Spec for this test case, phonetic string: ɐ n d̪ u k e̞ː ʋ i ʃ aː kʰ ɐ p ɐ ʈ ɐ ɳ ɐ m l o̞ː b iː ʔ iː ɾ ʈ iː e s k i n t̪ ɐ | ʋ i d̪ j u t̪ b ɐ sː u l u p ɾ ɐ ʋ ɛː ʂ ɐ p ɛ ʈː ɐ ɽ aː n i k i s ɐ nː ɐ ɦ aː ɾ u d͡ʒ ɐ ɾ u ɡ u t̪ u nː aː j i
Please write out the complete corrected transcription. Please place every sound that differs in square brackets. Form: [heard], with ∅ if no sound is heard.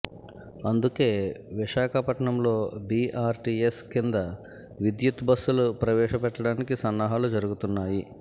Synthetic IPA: ɐ n d̪ u k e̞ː ʋ i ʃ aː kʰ ɐ p ɐ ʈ ɐ ɳ ɐ m l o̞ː b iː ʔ [aː] ɾ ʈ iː e s k i n [d̪] ɐ | ʋ i d̪ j u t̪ b ɐ sː u l u p ɾ ɐ ʋ ɛː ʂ ɐ p ɛ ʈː ɐ ɽ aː n i k i s ɐ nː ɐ ɦ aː [l] u d͡ʒ ɐ ɾ u ɡ u t̪ u nː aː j i